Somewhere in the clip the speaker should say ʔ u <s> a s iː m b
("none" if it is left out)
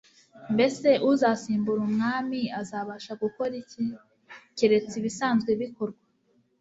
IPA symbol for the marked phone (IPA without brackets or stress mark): z